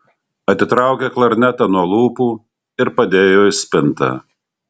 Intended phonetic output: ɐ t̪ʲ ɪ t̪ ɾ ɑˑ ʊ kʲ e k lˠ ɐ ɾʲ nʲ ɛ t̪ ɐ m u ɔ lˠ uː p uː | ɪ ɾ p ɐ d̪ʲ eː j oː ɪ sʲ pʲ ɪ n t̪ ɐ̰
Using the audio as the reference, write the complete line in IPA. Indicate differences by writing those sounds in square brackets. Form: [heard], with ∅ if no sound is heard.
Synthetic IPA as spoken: ɐ t̪ʲ ɪ t̪ ɾ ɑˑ ʊ kʲ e k lˠ ɐ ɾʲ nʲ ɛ t̪ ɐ [n] u ɔ lˠ uː p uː | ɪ ɾ p ɐ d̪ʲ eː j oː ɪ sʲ pʲ ɪ n t̪ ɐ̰